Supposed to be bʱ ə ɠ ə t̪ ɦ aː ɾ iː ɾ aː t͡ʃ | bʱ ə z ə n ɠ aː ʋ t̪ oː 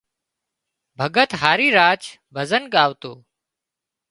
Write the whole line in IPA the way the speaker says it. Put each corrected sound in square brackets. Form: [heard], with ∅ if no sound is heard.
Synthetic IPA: bʱ ə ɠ ə t̪ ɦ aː ɾ iː ɾ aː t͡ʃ | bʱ ə z ə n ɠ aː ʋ t̪ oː